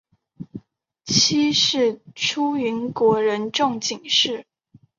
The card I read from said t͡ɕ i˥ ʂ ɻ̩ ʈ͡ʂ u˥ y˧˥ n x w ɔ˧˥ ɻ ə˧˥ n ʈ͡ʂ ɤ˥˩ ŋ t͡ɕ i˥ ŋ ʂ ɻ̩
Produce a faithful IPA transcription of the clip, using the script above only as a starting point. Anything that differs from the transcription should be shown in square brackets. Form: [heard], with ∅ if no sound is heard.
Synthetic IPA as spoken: [t͡ɕʰ] i˥ ʂ ɻ̩ [ʈ͡ʂʰ] u˥ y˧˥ n [k] w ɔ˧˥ ɻ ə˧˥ n ʈ͡ʂ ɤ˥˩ ŋ t͡ɕ [i˨˩] ŋ ʂ ɻ̩